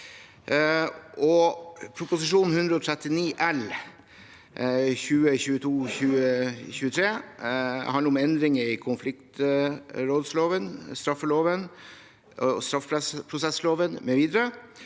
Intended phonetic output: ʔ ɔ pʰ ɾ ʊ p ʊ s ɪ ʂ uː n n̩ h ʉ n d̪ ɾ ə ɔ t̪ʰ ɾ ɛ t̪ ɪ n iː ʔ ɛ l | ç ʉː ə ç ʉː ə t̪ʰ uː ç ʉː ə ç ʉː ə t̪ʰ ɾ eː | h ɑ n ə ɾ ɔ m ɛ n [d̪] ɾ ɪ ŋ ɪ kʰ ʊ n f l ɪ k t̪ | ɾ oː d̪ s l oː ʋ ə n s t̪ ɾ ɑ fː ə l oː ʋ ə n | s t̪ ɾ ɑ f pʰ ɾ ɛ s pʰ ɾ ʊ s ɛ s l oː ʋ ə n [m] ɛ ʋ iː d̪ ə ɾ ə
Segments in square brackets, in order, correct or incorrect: correct, correct

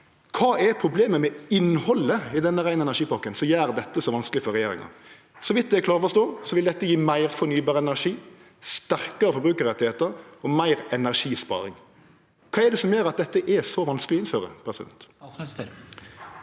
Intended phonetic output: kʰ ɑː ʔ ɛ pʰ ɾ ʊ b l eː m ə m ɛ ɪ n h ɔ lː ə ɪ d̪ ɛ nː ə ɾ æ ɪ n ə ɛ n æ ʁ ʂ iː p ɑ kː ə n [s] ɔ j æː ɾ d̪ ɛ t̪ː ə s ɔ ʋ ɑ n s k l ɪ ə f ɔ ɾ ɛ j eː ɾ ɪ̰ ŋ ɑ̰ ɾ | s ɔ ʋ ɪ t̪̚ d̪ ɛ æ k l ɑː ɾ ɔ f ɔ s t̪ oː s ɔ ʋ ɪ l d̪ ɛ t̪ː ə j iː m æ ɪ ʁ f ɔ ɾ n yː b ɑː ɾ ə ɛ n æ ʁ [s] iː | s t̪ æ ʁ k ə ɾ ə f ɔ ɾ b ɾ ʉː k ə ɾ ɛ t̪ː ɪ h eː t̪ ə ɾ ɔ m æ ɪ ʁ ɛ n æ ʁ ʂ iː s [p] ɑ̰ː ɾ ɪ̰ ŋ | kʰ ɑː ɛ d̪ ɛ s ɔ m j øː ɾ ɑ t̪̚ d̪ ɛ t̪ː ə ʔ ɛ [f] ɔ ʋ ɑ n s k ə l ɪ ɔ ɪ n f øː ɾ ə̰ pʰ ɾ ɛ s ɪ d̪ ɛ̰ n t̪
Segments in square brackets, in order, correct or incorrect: correct, incorrect: ʂ, correct, incorrect: s

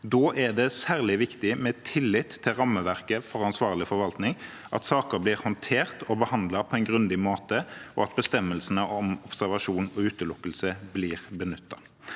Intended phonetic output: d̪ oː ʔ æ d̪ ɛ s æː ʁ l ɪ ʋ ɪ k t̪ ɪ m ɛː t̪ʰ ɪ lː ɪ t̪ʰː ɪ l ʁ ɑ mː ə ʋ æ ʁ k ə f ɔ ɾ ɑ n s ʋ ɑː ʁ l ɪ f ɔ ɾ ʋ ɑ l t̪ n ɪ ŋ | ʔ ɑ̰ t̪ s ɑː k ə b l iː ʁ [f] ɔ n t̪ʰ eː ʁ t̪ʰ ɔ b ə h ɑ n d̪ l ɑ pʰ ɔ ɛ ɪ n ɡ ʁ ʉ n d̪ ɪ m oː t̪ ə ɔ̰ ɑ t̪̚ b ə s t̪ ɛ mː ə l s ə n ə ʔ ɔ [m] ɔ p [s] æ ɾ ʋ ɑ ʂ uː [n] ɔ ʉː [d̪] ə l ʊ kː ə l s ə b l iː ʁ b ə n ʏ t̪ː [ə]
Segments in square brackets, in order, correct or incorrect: incorrect: h, correct, correct, correct, incorrect: t̪, incorrect: ɑ

